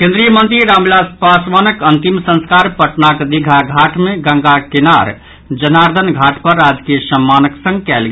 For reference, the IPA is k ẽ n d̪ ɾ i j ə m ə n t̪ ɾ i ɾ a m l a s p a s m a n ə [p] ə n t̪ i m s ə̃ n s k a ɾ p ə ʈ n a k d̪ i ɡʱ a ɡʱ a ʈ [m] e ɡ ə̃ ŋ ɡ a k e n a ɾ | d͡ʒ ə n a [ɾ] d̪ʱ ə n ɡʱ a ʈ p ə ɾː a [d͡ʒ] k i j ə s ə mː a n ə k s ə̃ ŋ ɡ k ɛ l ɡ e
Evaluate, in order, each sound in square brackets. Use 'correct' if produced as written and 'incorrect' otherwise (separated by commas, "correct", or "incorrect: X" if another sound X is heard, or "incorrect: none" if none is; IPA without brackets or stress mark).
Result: incorrect: k, correct, correct, correct